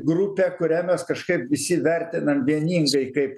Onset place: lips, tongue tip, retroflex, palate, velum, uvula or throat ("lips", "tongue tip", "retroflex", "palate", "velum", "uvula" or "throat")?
velum